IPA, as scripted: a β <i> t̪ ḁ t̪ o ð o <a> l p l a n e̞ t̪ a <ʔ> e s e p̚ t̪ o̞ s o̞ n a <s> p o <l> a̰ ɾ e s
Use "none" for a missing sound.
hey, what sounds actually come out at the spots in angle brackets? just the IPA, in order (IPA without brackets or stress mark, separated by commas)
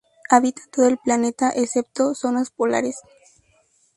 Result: i, e, ʔ, s, l